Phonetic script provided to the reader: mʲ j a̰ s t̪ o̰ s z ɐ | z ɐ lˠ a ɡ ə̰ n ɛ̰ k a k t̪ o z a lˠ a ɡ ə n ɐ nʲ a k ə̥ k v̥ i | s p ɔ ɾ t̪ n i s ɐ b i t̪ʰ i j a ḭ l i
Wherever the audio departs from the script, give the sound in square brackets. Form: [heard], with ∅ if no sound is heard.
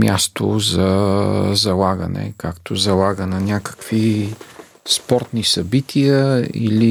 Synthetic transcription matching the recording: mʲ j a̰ s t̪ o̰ [∅] z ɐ | z ɐ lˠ a ɡ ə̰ n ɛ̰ k a k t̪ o z [ɐ] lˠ a ɡ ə n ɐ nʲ a k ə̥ k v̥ i | s p ɔ ɾ t̪ n i s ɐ b i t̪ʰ i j [ə] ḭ l i